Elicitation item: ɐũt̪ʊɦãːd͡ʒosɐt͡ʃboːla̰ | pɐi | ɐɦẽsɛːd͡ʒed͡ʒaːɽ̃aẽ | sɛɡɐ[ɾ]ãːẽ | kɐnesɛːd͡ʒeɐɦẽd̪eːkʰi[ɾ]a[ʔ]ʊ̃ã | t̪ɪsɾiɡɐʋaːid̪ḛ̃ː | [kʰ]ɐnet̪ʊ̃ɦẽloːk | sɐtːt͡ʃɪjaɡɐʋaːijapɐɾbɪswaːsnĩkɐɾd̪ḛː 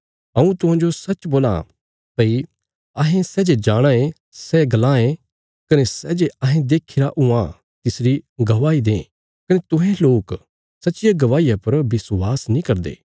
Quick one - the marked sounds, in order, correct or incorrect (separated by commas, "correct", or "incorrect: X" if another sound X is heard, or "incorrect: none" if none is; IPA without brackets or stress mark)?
incorrect: l, correct, correct, incorrect: k